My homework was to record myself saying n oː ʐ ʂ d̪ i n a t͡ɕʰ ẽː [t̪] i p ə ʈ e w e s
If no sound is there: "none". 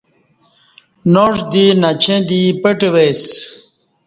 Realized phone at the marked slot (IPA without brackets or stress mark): d̪